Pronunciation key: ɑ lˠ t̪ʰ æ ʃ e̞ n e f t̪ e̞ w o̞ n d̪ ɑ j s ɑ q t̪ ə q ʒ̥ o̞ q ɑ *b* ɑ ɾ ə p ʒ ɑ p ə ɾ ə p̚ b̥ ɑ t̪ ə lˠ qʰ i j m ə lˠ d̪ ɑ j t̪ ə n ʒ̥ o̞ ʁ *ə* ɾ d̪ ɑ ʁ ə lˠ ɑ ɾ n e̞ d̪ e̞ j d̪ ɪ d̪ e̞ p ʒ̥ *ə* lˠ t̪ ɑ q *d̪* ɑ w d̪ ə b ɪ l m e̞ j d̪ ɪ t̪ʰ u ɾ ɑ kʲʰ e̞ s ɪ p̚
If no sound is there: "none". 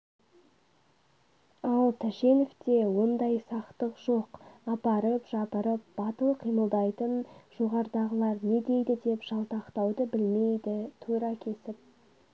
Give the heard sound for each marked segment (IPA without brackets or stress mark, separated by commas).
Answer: p, ɑ, ɑ, t̪